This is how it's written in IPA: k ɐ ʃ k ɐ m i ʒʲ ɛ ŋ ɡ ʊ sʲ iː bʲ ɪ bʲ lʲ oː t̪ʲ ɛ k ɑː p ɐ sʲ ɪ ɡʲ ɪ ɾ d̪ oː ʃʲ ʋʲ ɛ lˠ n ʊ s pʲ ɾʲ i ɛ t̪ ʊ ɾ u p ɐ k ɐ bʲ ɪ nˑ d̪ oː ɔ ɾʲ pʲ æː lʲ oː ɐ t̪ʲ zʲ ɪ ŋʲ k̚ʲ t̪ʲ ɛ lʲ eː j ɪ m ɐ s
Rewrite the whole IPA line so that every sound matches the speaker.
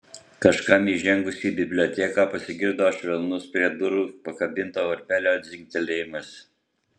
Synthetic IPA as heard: k ɐ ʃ k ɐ m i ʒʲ ɛ ŋ ɡ ʊ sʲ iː bʲ ɪ bʲ lʲ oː t̪ʲ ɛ k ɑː p ɐ sʲ ɪ ɡʲ ɪ ɾ d̪ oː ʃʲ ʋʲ ɛ lˠ n ʊ s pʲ ɾʲ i ɛ d̪ ʊ ɾ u p ɐ k ɐ bʲ ɪ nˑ t̪ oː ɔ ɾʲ pʲ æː lʲ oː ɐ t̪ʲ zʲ ɪ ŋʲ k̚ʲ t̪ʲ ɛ lʲ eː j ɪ m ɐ s